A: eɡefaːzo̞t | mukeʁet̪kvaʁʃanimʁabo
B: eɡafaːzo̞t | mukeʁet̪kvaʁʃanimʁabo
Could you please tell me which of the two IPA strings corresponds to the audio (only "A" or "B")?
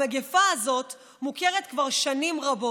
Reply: A